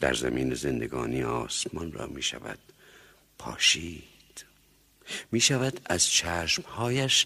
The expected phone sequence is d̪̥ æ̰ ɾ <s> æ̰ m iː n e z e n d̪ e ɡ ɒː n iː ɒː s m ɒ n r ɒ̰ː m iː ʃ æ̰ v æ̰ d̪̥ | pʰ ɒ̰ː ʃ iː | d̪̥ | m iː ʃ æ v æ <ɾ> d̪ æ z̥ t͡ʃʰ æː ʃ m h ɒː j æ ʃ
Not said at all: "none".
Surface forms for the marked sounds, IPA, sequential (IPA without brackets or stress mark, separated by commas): z, none